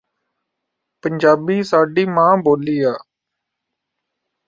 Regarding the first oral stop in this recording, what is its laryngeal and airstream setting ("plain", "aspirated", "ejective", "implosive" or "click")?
plain